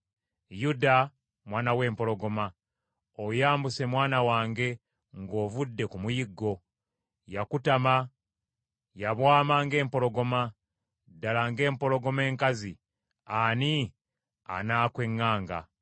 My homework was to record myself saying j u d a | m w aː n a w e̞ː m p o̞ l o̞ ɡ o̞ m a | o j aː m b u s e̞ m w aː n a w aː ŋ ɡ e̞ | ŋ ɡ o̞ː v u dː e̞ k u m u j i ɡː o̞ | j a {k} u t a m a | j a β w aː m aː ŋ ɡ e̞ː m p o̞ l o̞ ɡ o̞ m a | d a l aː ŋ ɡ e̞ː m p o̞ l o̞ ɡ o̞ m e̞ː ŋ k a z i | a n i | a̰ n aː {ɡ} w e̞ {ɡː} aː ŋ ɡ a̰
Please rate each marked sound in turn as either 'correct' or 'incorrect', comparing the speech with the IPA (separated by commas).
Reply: correct, incorrect, incorrect